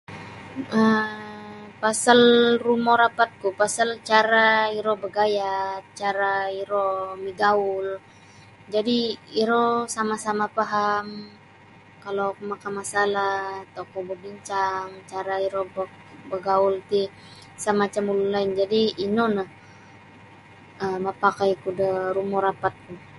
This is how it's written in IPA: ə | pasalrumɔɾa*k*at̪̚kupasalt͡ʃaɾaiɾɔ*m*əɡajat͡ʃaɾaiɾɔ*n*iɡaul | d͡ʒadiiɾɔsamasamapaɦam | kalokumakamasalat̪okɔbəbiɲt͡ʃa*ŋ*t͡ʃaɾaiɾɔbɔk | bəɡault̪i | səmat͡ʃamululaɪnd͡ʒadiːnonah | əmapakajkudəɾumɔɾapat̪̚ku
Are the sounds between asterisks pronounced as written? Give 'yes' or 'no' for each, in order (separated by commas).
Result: no, no, no, yes